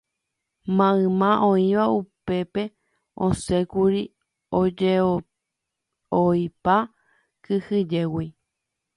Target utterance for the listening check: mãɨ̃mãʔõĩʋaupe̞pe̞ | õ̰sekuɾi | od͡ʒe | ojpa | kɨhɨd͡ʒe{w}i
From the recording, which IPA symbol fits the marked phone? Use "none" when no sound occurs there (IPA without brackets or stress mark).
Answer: w